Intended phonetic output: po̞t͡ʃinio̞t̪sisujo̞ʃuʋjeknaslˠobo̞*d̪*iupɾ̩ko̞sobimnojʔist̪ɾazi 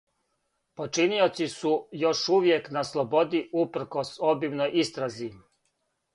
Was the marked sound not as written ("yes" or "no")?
no